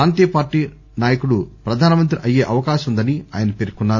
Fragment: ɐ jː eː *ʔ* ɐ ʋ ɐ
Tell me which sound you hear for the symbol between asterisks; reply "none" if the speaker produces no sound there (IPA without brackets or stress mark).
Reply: ʔ